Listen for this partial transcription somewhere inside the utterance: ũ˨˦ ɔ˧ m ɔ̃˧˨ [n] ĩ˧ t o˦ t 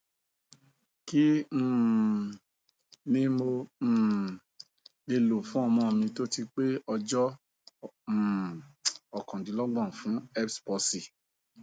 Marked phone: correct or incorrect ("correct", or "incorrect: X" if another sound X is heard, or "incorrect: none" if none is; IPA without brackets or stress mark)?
incorrect: m